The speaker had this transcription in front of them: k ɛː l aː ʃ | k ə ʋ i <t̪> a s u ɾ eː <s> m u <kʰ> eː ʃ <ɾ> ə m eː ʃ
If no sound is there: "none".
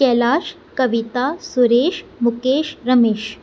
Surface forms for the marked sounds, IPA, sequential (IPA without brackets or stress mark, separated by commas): t̪, ʃ, k, ɾ